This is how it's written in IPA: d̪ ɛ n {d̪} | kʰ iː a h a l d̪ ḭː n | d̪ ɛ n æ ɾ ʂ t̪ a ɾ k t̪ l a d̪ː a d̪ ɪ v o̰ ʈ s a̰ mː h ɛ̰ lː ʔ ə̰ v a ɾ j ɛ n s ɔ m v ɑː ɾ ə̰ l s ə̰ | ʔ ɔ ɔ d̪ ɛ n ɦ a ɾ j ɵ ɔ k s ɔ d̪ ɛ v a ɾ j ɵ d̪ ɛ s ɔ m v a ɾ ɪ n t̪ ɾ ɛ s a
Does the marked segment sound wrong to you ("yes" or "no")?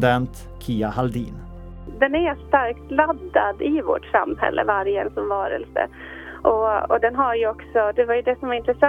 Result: yes